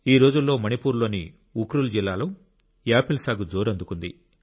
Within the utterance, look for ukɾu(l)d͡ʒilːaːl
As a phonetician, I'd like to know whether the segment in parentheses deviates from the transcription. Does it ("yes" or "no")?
no